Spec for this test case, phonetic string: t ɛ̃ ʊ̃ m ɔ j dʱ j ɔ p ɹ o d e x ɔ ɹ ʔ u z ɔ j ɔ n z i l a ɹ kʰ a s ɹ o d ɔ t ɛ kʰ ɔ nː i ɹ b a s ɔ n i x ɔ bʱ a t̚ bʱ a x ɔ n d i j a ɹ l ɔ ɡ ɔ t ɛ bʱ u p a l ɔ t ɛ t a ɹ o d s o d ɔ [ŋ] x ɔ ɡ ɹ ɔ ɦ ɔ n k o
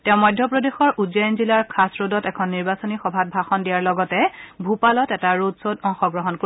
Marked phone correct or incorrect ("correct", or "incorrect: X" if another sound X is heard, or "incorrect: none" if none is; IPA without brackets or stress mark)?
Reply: correct